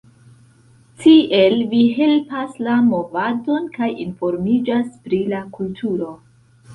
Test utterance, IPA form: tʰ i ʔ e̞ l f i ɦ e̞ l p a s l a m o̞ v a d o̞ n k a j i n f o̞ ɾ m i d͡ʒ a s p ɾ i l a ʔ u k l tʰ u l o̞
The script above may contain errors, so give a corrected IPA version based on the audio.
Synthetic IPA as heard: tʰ i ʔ e̞ l v i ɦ e̞ l p a s l a m o̞ v a d o̞ n k a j i n f o̞ ɾ m i d͡ʒ a s p ɾ i l a k u l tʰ u ɾ o̞